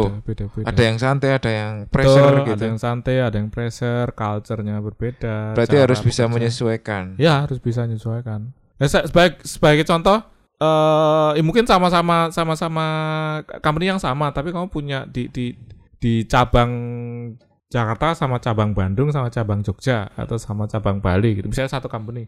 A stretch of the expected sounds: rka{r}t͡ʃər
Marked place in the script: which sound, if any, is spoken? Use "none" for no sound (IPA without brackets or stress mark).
l